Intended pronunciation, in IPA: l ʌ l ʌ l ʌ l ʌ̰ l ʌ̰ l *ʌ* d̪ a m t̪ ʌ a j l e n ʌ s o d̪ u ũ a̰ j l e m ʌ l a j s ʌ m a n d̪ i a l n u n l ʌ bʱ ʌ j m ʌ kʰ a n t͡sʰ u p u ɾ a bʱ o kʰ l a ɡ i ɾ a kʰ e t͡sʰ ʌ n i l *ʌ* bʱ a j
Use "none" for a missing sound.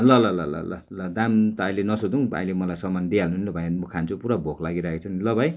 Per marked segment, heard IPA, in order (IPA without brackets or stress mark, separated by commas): ʌ, ʌ